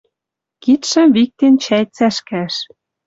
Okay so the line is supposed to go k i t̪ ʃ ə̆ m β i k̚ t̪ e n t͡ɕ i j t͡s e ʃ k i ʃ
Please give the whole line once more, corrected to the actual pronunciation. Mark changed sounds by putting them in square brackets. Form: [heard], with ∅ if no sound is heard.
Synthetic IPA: k i t̪ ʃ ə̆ m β i k̚ t̪ e n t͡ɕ [æ] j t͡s [æ] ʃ k [æ] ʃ

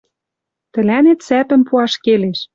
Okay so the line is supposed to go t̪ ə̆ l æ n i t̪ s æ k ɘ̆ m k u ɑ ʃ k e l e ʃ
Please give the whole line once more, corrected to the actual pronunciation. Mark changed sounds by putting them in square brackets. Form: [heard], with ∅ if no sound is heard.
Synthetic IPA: t̪ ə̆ l æ n [e] t̪ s æ [p] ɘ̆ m [p] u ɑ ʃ k e l e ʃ

